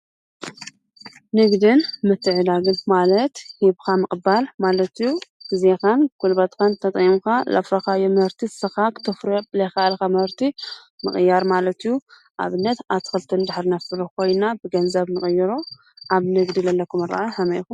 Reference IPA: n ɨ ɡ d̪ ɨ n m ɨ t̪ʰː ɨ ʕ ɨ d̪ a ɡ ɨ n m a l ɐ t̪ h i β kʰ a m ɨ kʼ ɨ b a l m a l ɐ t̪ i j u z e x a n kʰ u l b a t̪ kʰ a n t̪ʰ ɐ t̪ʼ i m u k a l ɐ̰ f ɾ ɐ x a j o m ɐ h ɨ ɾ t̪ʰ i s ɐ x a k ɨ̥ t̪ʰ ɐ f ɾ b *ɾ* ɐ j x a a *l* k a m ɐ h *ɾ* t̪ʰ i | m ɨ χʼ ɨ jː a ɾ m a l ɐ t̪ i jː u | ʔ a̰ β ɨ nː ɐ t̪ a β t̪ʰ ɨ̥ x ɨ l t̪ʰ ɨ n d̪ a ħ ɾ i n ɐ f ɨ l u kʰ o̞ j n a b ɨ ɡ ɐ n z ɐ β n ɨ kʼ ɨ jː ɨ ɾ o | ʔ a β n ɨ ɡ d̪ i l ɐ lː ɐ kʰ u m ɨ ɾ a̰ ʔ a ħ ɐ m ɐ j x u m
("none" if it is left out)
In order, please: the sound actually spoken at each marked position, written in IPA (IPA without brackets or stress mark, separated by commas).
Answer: l, l, ɾ